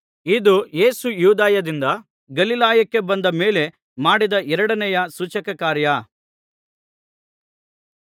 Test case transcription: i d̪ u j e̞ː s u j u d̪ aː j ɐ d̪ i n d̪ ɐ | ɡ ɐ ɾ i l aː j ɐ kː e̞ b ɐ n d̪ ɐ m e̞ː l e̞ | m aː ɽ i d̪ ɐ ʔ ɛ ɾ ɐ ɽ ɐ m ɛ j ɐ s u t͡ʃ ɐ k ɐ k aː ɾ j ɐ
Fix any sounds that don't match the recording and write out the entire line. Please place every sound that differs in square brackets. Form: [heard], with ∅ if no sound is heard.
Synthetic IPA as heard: i d̪ u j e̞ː s u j [uː] d̪ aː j ɐ d̪ i n d̪ ɐ | ɡ ɐ [l] i l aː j ɐ kː e̞ b ɐ n d̪ ɐ m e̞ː l e̞ | m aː ɽ i d̪ ɐ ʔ ɛ ɾ ɐ ɽ ɐ [n] ɛ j ɐ s u t͡ʃ ɐ k ɐ k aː ɾ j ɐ